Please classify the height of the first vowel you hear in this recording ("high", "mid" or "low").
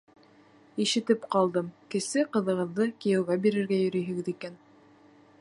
high